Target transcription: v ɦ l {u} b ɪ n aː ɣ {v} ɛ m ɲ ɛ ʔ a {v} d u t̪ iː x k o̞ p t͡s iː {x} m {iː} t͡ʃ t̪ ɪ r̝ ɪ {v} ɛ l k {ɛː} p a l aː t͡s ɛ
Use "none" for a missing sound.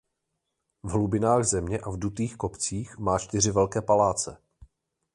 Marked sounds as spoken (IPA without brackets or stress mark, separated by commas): u, z, v, x, aː, v, ɛː